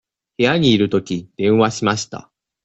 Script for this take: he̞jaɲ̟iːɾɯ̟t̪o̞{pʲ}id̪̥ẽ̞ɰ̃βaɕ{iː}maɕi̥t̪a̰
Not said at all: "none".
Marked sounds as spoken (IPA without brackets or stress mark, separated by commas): kʲ, i